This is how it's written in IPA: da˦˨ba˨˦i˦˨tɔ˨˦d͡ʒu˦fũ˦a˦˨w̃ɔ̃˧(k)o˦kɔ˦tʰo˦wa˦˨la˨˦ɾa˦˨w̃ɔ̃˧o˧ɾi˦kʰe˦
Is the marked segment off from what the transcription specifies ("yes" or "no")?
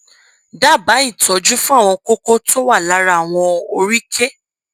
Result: no